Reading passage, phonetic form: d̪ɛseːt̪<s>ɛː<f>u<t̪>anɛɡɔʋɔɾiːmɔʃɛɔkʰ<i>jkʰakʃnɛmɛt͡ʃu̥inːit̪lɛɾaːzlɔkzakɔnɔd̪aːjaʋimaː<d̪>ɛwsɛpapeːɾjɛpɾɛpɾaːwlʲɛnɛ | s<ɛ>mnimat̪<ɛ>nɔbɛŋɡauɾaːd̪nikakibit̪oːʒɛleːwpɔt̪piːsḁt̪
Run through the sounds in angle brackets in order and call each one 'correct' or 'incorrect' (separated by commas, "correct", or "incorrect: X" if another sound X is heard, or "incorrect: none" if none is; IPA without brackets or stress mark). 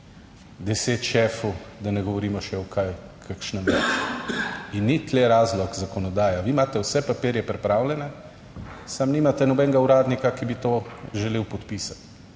incorrect: ʃ, correct, incorrect: d̪, incorrect: a, incorrect: t̪, incorrect: a, correct